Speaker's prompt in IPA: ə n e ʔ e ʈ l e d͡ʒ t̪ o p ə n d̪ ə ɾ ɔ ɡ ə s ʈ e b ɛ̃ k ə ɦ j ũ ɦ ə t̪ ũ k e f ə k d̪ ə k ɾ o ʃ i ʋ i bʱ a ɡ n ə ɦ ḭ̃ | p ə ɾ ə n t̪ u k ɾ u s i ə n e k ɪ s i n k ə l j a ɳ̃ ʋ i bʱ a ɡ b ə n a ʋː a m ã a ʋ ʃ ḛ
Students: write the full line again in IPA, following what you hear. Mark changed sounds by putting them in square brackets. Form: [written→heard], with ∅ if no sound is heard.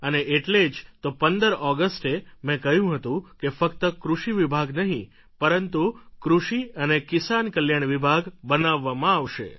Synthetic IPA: ə n e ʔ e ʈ l e d͡ʒ t̪ o p ə n d̪ ə ɾ ɔ ɡ ə s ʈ e [b→m] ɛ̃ k ə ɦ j ũ ɦ ə t̪ ũ k e f ə k [d̪→t̪] ə k ɾ [o→u] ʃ i ʋ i bʱ a ɡ n ə ɦ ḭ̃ | p ə ɾ ə n t̪ u k ɾ u [s→ʃ] i ə n e k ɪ s [i→a] n k ə l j a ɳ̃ ʋ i bʱ a ɡ b ə n a ʋː a m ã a ʋ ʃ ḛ

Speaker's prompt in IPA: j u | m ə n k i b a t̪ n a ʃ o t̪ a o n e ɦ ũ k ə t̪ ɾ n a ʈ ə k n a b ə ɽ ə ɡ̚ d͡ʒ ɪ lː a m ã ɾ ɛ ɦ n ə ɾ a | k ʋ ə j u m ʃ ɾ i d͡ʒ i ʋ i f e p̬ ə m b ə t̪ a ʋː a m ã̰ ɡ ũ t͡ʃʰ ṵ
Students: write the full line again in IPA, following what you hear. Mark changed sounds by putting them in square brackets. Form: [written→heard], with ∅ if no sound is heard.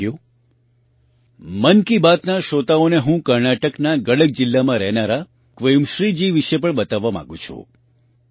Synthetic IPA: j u | m ə n k i b a t̪ n a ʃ o t̪ a o n e ɦ ũ k ə [t̪→∅] ɾ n a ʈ ə k n a [b→ɡ] ə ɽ ə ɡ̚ d͡ʒ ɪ lː a m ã ɾ ɛ ɦ n [ə→a] ɾ a | k ʋ ə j u m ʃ ɾ i d͡ʒ i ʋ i [f→ʃ] e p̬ ə [m→ɳ] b ə t̪ a ʋː a m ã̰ ɡ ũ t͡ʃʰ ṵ

